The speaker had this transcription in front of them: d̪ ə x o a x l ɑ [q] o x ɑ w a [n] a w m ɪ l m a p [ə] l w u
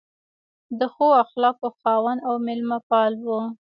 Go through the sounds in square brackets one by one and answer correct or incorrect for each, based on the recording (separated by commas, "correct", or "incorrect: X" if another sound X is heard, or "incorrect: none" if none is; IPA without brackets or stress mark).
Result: incorrect: k, correct, incorrect: ɑ